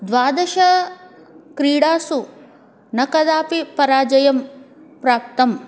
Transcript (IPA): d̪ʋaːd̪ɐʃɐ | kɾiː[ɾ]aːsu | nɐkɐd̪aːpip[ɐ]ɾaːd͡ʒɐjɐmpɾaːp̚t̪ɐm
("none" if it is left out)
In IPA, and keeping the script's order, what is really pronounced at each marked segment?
ɽ, ɐ

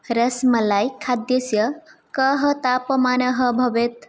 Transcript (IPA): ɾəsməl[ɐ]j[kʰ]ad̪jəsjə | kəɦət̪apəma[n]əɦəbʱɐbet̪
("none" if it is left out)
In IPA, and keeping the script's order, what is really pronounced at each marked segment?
a, kʰ, n

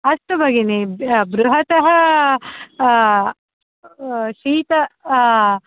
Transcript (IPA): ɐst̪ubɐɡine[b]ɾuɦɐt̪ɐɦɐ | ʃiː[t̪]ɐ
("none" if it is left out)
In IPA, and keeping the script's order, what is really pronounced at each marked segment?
b, t̪

